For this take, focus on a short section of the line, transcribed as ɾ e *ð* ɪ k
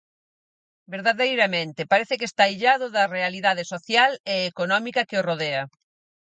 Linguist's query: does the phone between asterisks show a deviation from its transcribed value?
yes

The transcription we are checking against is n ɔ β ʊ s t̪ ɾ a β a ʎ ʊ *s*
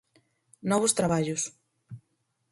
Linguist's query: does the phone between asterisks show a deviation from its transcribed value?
no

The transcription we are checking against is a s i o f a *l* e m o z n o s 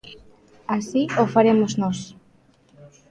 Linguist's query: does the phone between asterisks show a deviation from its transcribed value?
yes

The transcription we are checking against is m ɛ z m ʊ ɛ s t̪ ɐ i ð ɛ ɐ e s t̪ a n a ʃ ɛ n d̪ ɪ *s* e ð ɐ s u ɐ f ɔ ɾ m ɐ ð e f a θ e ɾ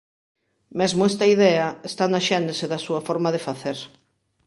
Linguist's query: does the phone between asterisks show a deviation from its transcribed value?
no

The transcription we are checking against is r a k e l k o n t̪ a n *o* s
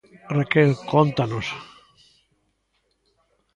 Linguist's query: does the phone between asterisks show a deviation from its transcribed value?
no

